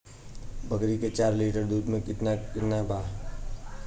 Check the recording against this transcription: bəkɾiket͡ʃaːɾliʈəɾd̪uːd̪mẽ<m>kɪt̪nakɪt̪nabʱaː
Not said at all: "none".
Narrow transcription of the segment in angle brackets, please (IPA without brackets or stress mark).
none